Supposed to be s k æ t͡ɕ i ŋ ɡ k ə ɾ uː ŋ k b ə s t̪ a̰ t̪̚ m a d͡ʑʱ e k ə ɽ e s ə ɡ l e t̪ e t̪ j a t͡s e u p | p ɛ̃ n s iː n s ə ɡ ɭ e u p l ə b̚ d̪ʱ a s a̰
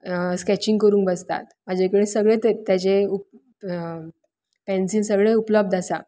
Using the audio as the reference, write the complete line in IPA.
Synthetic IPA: s k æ t͡ɕ i ŋ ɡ k ə ɾ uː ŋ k b ə s t̪ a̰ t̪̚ m a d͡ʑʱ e k ə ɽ e s ə ɡ ɭ e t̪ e t̪ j a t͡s e u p | p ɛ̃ n s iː n s ə ɡ ɭ e u p l ə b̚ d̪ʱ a s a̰